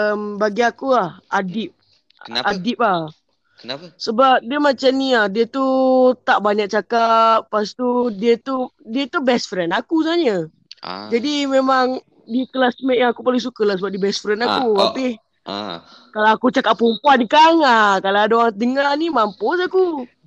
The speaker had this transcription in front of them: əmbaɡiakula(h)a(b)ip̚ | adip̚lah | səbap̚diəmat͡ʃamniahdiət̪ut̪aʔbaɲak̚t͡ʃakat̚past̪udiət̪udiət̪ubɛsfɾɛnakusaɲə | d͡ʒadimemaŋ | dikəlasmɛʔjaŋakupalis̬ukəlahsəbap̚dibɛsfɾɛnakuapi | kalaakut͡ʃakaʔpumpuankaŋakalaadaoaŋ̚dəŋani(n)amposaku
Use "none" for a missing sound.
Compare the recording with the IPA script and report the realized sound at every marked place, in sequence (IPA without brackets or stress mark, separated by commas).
h, d, m